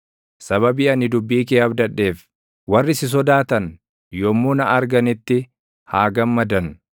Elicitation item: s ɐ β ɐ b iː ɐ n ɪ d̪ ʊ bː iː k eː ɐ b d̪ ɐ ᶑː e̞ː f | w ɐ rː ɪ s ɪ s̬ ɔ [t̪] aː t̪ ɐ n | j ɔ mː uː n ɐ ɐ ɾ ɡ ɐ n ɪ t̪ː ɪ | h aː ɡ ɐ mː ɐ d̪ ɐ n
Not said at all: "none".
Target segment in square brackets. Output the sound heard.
d̪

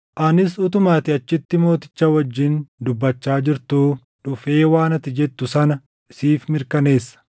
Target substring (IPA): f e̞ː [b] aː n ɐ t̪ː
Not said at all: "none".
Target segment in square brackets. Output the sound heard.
w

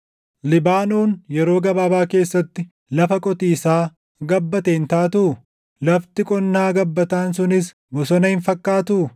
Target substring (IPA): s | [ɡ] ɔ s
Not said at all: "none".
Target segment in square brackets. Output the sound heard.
b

